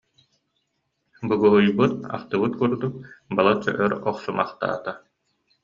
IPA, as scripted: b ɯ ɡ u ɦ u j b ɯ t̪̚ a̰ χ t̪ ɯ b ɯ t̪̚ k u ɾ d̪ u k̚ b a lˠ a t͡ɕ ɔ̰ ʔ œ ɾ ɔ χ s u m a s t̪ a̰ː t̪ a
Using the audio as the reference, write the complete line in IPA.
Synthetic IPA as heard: b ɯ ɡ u ɦ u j b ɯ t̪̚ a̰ χ t̪ ɯ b ɯ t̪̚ k u ɾ d̪ u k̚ b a lˠ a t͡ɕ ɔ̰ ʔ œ ɾ ɔ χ s u m a χ t̪ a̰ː t̪ a